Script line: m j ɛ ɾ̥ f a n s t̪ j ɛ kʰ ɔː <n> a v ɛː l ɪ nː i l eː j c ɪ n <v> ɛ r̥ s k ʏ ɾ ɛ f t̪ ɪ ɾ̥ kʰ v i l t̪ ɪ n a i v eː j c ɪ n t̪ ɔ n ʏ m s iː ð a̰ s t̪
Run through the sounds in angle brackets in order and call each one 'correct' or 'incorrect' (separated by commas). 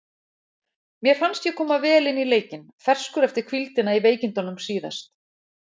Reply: incorrect, incorrect